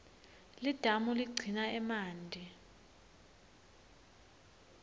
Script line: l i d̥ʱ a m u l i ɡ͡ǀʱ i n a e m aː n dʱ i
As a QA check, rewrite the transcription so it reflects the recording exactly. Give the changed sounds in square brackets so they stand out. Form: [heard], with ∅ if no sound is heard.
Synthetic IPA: l i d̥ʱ a m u l i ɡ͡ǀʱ i n a [ɛ] m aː n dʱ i